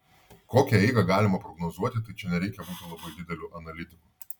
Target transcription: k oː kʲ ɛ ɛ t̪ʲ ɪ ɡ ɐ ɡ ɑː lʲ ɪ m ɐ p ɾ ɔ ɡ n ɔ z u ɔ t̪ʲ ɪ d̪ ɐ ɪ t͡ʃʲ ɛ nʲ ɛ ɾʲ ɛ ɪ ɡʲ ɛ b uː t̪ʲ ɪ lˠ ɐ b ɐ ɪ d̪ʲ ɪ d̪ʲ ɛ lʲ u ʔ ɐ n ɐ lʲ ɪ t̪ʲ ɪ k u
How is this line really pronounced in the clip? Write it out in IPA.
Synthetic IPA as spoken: k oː kʲ ɛ ɛ ɪ ɡ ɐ ɡ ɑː lʲ ɪ m ɐ p ɾ ɔ ɡ n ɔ z u ɔ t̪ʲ ɪ t̪ ɐ ɪ t͡ʃʲ ɛ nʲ ɛ ɾʲ ɛ ɪ kʲ ɛ b uː t̪ʲ ɪ lˠ ɐ b ɐ ɪ d̪ʲ ɪ d̪ʲ ɛ lʲ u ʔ ɐ n ɐ lʲ ɪ t̪ʲ ɪ k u